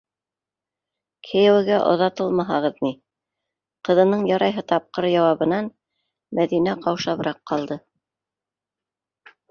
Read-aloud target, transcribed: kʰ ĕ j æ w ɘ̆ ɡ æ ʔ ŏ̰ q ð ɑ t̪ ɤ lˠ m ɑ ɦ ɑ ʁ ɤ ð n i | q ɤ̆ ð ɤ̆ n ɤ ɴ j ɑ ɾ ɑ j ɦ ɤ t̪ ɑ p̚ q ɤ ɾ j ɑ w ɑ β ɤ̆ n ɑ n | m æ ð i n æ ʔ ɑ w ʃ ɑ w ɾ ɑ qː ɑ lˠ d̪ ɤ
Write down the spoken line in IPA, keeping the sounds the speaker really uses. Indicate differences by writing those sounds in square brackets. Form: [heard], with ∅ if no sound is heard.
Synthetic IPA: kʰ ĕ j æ w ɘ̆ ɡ æ ʔ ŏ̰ [∅] ð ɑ t̪ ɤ lˠ m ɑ ɦ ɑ ʁ ɤ ð n i | q ɤ̆ ð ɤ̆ n ɤ ɴ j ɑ ɾ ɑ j ɦ ɤ t̪ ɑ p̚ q ɤ ɾ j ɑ w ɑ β ɤ̆ n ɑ n | m æ ð i n æ [q] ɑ w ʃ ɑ [β] ɾ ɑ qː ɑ lˠ d̪ ɤ